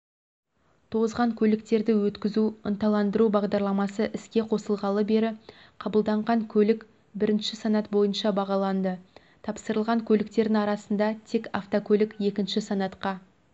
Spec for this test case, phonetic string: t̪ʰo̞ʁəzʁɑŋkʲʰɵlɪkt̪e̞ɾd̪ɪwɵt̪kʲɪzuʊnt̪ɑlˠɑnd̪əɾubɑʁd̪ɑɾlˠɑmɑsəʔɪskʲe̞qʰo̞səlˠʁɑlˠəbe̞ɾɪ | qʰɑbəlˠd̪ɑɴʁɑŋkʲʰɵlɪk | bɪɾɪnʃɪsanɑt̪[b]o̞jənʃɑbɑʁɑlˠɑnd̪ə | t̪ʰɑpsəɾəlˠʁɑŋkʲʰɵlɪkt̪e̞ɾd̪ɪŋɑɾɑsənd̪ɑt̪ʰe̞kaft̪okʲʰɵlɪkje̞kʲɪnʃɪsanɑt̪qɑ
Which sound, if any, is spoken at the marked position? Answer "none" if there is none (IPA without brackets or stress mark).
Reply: b